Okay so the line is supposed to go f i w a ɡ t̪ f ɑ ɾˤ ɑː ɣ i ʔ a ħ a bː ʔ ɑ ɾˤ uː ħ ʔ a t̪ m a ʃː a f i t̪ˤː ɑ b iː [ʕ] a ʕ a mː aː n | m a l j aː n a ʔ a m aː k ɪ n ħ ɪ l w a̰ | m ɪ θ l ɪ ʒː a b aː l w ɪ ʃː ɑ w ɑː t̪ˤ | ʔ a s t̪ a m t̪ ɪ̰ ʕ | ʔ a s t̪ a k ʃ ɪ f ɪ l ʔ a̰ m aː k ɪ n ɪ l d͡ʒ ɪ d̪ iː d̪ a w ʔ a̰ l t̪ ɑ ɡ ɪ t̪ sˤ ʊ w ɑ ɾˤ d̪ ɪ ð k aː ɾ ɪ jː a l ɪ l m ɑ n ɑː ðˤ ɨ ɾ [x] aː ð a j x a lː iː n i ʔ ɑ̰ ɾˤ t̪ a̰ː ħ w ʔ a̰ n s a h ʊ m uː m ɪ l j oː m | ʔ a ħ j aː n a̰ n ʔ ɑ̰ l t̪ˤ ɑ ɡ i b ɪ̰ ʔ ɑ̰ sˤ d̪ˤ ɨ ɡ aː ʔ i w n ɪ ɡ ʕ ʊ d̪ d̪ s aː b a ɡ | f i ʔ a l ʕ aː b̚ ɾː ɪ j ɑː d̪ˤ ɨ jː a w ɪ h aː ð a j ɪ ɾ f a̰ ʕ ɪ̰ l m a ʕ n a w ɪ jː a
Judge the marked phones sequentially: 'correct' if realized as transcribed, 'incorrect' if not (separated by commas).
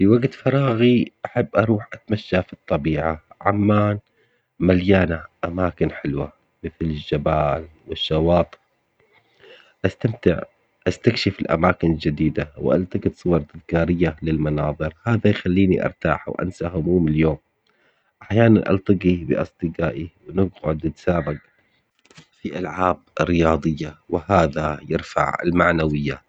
correct, incorrect